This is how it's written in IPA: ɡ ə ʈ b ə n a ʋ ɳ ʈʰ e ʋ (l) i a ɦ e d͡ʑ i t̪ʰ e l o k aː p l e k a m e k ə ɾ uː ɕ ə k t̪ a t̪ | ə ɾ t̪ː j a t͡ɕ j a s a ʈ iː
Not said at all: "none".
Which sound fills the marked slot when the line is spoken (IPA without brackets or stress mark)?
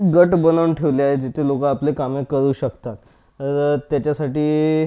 l